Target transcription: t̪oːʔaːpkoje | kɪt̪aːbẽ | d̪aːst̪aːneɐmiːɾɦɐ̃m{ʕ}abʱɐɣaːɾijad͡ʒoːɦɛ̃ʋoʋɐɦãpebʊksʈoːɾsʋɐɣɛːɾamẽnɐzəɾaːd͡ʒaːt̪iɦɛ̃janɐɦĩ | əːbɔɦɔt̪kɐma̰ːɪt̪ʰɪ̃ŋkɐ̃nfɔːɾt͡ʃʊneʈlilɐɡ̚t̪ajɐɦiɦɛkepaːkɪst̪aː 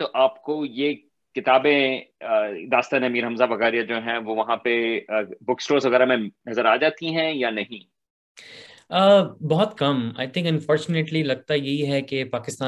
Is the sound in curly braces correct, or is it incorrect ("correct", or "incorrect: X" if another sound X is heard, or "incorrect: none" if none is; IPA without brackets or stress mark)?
incorrect: z